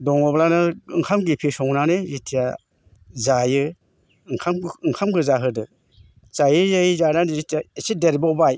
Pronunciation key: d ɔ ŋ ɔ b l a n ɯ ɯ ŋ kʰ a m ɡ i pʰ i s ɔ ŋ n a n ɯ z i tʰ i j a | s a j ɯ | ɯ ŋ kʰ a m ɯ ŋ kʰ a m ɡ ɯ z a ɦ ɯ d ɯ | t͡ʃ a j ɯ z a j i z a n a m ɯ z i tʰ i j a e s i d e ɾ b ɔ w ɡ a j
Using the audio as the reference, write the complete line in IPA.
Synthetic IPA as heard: d ɔ ŋ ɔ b l a n ɯ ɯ ŋ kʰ a m ɡ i pʰ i s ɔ ŋ n a n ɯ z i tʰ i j a | z a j ɯ | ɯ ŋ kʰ a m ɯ ŋ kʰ a m ɡ ɯ z a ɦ ɯ d ɯ | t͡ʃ a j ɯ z a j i z a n a n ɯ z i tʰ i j a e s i d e ɾ b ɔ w b a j